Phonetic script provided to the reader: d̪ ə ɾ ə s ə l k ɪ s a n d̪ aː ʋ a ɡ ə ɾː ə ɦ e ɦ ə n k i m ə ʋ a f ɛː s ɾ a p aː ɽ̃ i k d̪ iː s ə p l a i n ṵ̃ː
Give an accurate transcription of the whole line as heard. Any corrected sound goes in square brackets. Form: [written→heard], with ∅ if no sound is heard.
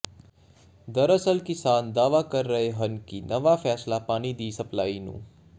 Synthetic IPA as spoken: d̪ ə ɾ ə s ə l k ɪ s a n d̪ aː ʋ a [ɡ→k] ə ɾː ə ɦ e ɦ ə n k i [m→n] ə ʋ a f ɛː s [ɾ→l] a p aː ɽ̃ i [k→∅] d̪ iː s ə p l a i n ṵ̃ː